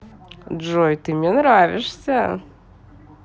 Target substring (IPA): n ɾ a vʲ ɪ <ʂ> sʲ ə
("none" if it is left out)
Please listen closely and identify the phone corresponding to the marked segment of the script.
ʂ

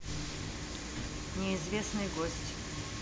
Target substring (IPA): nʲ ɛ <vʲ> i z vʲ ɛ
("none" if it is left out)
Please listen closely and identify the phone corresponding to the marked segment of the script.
none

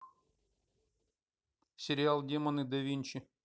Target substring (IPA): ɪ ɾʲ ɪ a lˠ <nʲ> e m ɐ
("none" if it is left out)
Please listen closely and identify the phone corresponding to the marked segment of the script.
dʲ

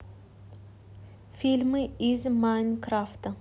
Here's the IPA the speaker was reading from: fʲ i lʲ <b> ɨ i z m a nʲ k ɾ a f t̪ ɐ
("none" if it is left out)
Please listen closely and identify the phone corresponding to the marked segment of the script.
m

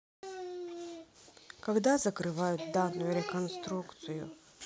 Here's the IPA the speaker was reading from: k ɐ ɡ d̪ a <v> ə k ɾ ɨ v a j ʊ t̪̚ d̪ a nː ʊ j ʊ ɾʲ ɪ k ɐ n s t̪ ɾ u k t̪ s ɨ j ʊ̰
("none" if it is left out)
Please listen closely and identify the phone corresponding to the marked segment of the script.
z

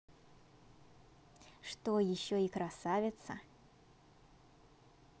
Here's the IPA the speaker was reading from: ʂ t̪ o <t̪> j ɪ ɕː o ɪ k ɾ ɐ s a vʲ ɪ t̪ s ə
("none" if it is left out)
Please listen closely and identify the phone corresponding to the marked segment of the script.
none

